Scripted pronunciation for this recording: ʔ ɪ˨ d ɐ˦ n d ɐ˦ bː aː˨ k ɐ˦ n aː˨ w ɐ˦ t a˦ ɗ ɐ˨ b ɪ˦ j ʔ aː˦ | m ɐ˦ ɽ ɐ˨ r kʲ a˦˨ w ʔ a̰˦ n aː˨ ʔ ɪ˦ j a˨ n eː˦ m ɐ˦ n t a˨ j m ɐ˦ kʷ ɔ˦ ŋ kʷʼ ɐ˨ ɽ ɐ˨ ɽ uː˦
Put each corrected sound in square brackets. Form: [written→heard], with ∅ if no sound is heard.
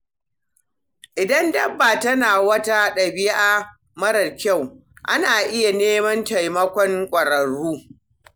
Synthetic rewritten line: ʔ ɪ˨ d ɐ˦ n d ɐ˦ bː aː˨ [k→t] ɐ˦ n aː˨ w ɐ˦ t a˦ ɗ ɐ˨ b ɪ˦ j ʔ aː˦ | m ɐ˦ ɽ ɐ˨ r kʲ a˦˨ w ʔ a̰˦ n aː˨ ʔ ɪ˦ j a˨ n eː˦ m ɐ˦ n t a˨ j m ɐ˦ kʷ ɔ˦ ŋ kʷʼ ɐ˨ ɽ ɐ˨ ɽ uː˦